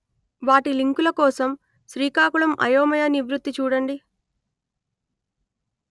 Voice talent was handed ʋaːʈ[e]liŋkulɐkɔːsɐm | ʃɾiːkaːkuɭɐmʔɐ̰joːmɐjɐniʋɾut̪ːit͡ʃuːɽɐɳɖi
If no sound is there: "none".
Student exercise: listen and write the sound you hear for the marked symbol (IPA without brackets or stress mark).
i